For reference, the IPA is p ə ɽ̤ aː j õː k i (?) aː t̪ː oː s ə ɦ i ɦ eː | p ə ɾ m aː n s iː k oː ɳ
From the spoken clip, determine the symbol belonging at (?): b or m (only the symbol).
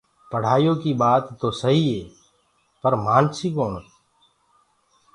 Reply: b